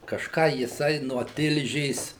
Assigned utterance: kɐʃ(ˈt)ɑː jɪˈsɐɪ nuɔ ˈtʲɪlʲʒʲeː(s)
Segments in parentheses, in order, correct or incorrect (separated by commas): incorrect, correct